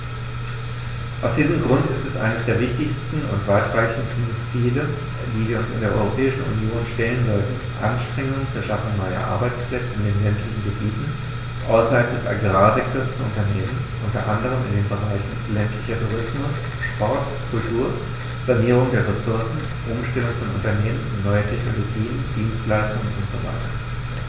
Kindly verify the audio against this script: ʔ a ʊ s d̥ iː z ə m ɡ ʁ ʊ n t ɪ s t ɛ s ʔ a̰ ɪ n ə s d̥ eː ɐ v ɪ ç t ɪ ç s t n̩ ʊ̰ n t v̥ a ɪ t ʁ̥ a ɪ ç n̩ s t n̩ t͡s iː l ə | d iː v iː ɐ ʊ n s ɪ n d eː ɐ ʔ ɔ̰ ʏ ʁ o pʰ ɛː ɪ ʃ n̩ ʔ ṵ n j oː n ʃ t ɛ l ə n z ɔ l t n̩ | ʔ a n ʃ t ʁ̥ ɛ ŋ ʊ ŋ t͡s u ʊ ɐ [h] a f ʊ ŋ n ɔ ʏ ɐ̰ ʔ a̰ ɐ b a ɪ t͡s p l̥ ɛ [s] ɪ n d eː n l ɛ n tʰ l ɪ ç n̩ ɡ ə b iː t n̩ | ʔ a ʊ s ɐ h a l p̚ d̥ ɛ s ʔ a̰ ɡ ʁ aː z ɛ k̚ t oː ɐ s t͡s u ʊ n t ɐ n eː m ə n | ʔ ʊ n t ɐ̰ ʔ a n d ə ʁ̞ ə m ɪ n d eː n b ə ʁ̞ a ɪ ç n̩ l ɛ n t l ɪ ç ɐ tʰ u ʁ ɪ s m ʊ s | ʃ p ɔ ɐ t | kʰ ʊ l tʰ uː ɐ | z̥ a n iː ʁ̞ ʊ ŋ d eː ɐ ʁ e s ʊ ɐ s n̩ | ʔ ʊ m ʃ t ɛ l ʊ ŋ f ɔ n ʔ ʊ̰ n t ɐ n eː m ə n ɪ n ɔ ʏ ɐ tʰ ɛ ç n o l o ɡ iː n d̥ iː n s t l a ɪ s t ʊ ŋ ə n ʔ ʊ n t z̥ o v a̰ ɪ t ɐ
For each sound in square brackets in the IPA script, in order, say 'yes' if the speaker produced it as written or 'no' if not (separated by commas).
no, no